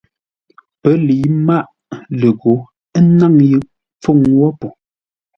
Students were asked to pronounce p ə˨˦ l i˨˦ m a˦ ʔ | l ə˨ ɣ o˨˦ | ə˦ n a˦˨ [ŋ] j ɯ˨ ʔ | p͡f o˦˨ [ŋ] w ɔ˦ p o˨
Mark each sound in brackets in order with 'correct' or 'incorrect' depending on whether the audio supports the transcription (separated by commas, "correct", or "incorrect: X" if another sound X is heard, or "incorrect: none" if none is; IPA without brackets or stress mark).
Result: correct, correct